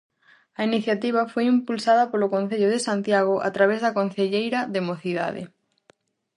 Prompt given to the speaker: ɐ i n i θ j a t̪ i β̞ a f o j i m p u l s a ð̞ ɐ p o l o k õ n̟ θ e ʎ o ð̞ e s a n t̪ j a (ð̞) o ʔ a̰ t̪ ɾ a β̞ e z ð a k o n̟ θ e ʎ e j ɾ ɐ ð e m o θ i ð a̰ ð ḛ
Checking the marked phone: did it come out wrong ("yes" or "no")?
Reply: yes